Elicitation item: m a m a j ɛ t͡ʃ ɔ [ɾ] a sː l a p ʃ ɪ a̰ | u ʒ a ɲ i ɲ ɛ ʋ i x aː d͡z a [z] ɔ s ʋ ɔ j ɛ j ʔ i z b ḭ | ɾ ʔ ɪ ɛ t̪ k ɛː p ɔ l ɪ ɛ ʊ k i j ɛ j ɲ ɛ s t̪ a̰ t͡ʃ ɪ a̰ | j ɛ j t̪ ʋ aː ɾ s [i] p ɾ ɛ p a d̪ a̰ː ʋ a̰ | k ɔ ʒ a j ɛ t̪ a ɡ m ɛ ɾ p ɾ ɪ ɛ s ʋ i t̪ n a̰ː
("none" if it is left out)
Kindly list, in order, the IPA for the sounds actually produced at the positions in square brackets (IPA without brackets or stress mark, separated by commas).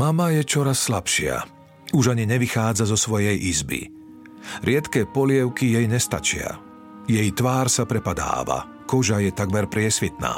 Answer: ɾ, z, a